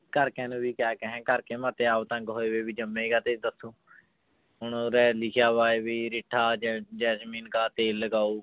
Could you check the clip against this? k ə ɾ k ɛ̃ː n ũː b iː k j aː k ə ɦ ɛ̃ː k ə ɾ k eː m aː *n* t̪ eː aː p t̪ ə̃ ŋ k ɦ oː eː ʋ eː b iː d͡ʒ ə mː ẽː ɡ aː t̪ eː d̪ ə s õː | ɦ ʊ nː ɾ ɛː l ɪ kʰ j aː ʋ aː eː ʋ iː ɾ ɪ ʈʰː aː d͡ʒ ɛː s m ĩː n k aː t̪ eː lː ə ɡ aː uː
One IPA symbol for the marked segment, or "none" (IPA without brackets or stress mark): none